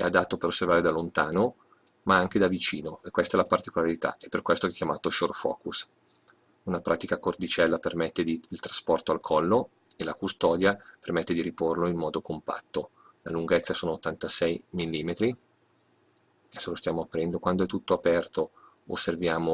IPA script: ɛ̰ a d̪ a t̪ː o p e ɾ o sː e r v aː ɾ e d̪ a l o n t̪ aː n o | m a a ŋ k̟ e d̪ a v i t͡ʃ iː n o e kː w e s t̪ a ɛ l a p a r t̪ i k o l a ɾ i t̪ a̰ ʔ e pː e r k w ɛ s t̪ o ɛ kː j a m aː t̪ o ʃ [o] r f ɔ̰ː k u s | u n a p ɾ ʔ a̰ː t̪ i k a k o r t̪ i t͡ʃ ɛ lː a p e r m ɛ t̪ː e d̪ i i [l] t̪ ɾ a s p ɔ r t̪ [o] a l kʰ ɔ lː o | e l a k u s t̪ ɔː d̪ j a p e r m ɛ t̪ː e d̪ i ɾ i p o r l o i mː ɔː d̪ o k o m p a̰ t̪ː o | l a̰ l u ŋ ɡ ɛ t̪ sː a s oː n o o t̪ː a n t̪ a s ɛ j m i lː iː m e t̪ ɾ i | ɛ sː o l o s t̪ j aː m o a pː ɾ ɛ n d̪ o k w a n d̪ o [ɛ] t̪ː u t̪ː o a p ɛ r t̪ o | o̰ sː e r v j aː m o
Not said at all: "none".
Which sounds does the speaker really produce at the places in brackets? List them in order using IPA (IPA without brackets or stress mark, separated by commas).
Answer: o, l, o, ɛ